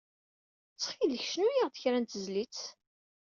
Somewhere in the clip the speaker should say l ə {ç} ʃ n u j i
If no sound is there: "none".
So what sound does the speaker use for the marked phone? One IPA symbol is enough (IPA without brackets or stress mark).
ç